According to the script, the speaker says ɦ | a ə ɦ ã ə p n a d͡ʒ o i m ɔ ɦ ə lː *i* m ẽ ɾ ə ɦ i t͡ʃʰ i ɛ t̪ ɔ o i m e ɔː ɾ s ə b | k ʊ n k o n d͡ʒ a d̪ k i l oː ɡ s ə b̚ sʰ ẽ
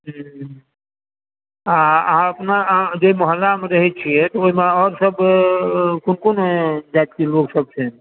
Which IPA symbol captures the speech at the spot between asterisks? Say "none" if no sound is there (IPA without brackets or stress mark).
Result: a